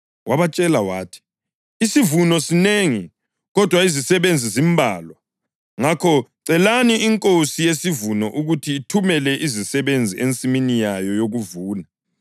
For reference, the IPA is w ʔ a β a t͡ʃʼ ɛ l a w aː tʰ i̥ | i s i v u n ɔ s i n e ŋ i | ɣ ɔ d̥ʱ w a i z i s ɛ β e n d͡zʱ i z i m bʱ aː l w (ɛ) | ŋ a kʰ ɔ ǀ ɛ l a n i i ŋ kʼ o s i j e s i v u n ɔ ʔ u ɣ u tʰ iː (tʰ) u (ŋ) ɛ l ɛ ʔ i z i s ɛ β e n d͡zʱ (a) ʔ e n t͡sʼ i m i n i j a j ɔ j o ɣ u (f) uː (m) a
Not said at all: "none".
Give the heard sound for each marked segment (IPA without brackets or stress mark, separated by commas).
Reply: a, tʰ, m, i, v, n